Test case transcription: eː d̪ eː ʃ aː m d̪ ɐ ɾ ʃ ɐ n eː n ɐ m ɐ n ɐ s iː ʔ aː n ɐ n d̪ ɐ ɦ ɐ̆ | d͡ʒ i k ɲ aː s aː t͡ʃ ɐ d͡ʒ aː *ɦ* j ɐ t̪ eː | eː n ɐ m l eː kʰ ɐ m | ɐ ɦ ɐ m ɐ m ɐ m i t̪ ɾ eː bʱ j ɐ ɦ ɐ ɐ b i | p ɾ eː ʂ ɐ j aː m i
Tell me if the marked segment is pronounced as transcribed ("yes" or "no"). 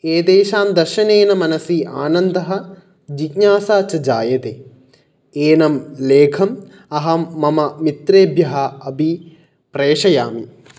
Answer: no